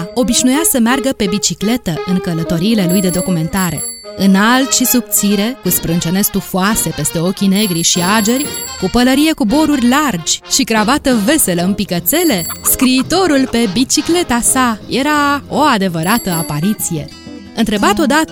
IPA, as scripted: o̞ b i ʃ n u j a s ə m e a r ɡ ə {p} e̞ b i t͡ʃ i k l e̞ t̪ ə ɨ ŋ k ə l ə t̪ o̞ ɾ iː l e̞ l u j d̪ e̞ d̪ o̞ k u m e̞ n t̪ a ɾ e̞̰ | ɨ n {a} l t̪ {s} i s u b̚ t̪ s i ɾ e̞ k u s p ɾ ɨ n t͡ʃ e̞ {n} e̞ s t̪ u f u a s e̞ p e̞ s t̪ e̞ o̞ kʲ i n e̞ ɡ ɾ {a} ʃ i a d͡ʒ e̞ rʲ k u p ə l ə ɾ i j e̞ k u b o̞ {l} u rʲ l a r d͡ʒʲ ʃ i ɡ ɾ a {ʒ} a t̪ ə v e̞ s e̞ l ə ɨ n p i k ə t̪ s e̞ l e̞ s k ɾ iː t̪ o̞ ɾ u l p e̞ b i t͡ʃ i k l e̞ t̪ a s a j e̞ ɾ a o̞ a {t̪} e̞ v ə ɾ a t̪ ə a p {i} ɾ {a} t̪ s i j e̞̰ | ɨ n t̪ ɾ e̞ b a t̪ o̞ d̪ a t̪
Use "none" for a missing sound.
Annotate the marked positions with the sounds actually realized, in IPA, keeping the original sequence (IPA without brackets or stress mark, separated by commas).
p, a, ʃ, n, i, ɾ, v, d̪, a, i